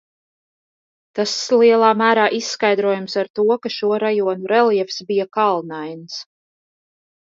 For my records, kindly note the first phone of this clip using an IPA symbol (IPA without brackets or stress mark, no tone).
t̪